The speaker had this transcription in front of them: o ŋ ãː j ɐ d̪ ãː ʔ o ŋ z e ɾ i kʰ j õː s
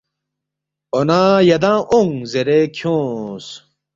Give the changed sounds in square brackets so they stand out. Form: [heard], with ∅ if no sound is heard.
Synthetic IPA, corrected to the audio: o [n] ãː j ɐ d̪ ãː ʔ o ŋ z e ɾ [e] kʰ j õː s

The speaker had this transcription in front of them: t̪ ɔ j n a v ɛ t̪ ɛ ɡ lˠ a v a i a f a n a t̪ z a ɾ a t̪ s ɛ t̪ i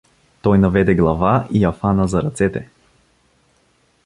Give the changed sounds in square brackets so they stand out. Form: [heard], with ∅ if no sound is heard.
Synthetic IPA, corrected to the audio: t̪ ɔ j n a v ɛ [d̪] ɛ ɡ lˠ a v a i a f a n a [∅] z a ɾ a t̪ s ɛ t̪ [ɛ]

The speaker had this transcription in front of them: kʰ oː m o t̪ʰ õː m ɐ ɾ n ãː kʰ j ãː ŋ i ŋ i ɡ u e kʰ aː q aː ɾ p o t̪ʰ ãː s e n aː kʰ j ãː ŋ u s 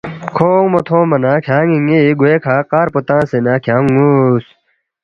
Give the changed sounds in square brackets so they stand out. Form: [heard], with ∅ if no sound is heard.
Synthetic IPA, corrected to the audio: kʰ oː m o t̪ʰ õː m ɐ [∅] n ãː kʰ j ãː ŋ i ŋ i ɡ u e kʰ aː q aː ɾ p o [t̪] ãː s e n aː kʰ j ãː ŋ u s

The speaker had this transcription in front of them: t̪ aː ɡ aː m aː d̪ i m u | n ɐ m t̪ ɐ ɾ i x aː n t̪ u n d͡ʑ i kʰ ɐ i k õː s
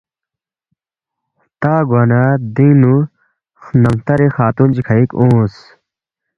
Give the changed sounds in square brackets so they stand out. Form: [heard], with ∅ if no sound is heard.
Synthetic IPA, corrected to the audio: t̪ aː ɡ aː [n] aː d̪ i [n] u | n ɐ m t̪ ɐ ɾ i x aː [∅] t̪ u n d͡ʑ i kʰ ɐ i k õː s

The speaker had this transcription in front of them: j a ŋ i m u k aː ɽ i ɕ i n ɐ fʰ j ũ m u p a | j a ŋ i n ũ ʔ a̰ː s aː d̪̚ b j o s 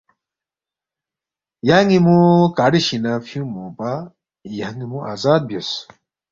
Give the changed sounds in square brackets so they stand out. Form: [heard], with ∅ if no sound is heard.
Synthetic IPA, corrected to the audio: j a ŋ i m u k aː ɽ i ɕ i n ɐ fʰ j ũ m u p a | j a ŋ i [m] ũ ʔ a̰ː [z] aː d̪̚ b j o s

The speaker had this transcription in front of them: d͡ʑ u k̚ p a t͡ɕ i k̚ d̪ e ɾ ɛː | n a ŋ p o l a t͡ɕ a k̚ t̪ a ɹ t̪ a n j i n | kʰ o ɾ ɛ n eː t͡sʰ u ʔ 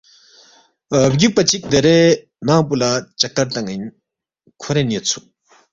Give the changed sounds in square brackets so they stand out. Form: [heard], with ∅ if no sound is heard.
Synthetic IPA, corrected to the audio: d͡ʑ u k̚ p a t͡ɕ i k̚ d̪ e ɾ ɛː | n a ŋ p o l a t͡ɕ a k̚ t̪ a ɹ t̪ a [ŋ] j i n | kʰ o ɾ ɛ n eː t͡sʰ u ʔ

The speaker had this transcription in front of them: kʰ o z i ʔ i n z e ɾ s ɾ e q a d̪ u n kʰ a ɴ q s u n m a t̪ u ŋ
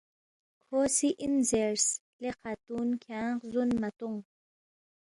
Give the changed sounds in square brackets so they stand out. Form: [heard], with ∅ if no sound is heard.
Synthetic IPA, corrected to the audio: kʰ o [s] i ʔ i n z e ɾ s [l] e q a [t̪] u n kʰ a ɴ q [z] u n m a t̪ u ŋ

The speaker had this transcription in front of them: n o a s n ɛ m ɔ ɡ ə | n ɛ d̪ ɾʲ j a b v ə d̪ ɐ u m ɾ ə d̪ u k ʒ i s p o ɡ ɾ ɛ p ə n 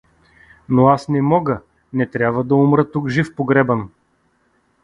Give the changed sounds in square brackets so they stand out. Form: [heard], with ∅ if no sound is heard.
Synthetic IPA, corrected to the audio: n o a s n ɛ m ɔ ɡ ə | n ɛ [t̪] ɾʲ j a b v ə d̪ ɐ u m ɾ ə [t̪] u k ʒ i [f] p o ɡ ɾ ɛ [b] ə n

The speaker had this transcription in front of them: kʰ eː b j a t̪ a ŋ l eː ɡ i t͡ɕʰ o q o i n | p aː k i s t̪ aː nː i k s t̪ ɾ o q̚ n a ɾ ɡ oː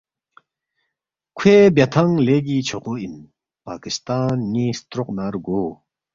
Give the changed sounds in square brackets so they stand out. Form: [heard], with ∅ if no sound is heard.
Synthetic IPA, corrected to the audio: kʰ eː b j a [t̪ʰ] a ŋ l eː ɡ i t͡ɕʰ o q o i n | p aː k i s t̪ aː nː i [∅] s t̪ ɾ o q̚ n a ɾ ɡ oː

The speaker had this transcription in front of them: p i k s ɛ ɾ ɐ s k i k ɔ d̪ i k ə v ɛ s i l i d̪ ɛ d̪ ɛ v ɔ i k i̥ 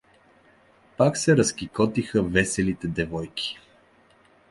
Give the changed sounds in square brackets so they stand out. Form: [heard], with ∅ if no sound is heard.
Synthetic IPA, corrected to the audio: p [a] k s ɛ ɾ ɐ s k i k ɔ [t̪] i [x] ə v ɛ s [ɛ] l i [t̪] ɛ d̪ ɛ v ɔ [j] k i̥

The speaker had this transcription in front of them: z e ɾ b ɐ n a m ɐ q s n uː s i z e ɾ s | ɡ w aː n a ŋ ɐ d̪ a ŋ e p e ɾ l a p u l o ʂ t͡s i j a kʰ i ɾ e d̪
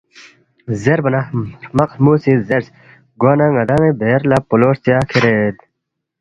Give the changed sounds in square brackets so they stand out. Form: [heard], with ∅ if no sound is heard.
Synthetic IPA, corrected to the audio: z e ɾ b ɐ n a m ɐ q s [m] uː s i z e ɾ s | ɡ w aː n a ŋ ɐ d̪ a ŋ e [b] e ɾ l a p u l o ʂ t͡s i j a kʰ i ɾ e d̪

